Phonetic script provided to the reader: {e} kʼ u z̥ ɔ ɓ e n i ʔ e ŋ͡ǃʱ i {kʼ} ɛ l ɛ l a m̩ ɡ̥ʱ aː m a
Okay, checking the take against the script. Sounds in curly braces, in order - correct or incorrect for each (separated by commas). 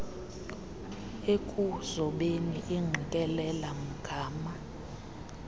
correct, correct